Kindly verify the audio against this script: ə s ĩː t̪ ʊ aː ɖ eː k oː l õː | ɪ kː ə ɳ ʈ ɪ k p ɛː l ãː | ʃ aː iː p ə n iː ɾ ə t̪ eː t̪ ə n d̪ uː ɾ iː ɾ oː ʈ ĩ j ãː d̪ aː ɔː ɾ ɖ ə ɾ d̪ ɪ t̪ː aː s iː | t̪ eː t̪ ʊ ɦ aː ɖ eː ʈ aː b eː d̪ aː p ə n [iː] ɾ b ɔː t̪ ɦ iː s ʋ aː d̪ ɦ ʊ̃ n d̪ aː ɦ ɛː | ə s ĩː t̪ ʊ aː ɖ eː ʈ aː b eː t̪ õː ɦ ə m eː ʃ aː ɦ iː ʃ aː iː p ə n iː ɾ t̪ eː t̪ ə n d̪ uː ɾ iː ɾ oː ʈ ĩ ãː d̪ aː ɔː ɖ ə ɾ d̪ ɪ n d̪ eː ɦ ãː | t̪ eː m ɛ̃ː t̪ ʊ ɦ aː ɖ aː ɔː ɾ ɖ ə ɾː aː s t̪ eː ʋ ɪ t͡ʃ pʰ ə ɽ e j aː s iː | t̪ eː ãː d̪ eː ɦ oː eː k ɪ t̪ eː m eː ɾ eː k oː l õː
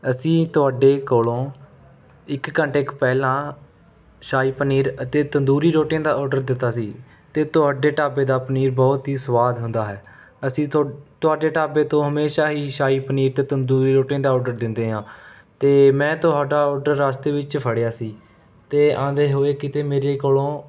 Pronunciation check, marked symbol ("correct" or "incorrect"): correct